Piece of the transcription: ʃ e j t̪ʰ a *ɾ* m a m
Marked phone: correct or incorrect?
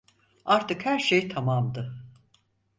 incorrect